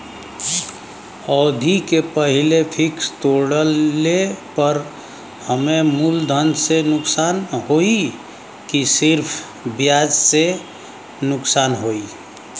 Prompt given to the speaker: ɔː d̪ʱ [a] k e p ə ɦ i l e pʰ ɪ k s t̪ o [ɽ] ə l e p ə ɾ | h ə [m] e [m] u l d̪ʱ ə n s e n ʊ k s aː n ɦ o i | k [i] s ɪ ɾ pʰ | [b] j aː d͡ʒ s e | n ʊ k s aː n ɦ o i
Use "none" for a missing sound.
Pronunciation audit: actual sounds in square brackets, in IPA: i, ɽ, m, m, i, b

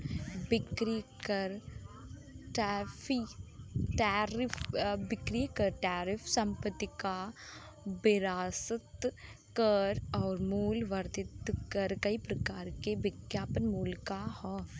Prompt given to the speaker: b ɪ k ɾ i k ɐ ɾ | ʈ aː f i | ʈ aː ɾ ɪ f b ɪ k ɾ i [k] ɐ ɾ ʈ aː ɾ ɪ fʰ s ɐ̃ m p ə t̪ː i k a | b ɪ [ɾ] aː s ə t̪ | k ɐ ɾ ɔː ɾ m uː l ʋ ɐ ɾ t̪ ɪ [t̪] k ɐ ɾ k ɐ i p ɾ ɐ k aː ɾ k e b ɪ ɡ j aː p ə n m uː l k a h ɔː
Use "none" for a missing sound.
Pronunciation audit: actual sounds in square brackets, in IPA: k, ɾ, t̪

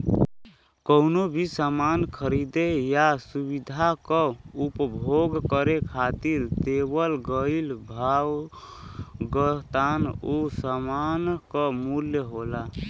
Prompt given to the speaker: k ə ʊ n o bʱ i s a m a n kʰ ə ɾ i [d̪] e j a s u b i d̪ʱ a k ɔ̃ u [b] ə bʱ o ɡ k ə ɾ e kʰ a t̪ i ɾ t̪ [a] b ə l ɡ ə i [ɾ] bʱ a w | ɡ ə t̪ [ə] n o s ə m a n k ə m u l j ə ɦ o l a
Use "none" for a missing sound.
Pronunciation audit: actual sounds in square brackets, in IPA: d̪, p, e, l, a

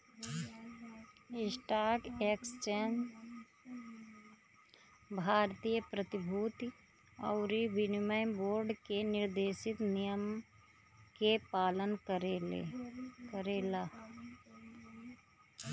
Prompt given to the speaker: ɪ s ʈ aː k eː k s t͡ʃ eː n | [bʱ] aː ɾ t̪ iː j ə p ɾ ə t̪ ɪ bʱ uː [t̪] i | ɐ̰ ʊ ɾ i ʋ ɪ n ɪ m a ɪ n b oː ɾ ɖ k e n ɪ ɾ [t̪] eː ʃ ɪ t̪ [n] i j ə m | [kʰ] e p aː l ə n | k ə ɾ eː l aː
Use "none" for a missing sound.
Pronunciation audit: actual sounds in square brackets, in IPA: bʱ, t̪, d̪, n, k

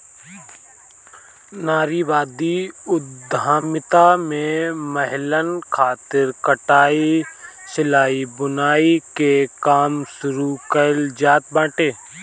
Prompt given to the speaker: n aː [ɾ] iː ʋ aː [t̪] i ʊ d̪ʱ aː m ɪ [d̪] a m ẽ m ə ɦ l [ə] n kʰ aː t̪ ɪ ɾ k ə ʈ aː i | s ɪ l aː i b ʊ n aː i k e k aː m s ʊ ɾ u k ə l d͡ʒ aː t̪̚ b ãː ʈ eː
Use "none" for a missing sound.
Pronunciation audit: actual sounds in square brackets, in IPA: ɾ, d̪, t̪, ə

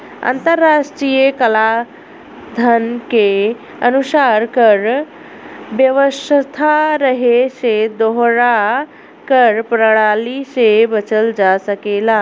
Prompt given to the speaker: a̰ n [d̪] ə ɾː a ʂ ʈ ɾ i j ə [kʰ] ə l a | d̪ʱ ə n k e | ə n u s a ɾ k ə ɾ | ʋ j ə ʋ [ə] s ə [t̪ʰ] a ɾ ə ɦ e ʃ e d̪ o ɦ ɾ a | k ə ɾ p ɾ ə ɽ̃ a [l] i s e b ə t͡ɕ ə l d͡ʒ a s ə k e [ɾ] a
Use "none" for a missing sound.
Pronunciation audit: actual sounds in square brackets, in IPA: t̪, k, ə, t̪ʰ, l, l

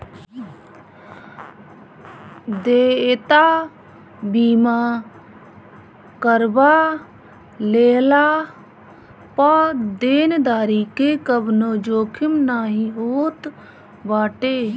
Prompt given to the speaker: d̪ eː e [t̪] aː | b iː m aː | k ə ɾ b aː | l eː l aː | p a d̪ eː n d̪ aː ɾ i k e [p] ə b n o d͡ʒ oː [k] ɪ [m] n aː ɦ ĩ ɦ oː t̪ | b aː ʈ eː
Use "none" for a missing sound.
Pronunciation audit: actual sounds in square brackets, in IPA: t̪, k, kʰ, m

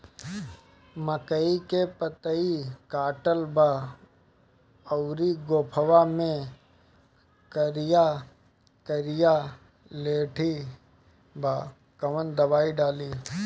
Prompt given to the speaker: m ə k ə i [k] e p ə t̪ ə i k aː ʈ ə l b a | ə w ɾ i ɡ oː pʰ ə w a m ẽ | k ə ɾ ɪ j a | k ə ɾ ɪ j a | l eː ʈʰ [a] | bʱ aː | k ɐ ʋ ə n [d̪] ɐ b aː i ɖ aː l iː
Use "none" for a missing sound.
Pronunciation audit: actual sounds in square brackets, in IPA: k, i, d̪

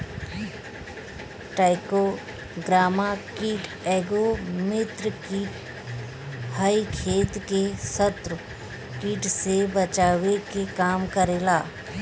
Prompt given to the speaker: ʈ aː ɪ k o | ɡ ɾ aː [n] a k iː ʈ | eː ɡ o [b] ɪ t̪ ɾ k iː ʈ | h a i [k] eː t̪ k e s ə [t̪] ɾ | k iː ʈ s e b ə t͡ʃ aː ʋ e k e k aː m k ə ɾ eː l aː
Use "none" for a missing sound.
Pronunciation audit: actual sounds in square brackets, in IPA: m, m, kʰ, t̪

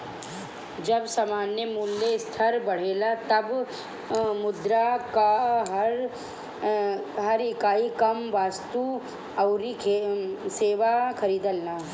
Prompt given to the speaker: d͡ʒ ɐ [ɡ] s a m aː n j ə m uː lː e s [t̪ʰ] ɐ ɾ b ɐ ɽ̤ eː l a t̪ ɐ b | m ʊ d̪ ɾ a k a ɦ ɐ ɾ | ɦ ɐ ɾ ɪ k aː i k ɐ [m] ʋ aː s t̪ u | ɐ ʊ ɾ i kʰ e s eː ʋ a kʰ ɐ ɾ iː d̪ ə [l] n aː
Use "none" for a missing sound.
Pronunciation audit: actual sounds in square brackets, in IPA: b, t̪ʰ, m, l

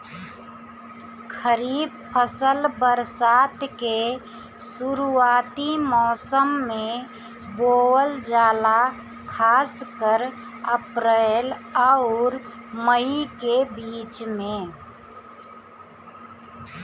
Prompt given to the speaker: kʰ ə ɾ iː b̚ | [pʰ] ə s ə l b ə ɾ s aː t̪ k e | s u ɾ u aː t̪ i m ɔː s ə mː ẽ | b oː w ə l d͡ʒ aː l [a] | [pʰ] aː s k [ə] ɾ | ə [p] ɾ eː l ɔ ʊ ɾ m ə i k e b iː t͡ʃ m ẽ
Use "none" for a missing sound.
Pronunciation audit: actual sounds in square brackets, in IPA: pʰ, a, kʰ, ə, p

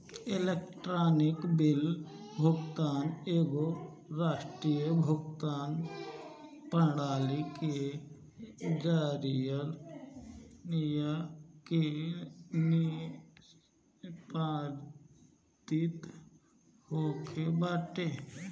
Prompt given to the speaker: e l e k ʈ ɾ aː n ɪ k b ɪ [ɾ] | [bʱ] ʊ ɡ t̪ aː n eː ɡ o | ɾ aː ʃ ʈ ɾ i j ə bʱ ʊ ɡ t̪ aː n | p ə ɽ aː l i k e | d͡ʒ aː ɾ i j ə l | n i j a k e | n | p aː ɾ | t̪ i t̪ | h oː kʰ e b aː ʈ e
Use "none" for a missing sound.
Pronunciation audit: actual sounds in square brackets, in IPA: l, bʱ

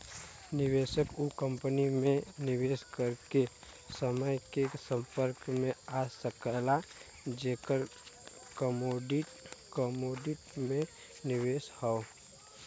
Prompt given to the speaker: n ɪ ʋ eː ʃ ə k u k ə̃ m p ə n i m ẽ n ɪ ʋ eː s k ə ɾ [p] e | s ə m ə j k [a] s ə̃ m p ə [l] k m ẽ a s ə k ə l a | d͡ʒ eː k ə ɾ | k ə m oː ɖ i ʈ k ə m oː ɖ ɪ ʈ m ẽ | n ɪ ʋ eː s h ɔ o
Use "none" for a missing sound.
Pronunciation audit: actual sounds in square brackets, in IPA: k, e, ɾ

